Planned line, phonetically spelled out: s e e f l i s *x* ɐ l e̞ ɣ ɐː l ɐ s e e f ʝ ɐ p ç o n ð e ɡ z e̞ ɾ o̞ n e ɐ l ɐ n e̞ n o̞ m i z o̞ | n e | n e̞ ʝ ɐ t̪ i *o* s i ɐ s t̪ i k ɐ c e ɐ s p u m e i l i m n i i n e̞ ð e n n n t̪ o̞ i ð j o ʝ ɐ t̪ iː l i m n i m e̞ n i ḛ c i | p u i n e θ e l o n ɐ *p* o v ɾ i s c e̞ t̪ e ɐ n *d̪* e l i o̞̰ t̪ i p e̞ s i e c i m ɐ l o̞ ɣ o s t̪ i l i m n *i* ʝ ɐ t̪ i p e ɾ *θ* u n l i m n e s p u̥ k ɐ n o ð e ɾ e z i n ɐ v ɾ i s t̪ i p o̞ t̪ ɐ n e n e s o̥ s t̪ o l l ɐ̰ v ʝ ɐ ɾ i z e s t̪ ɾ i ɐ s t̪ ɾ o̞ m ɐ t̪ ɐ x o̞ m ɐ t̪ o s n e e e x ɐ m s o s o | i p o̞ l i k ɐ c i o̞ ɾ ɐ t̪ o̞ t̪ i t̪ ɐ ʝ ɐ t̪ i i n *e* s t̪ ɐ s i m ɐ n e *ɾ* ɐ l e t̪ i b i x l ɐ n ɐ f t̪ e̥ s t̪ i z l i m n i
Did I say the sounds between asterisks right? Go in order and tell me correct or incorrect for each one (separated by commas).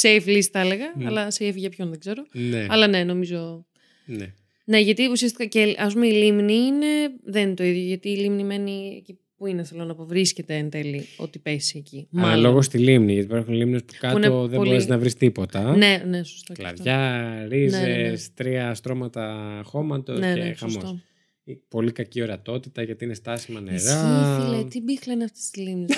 incorrect, incorrect, correct, incorrect, correct, incorrect, correct, correct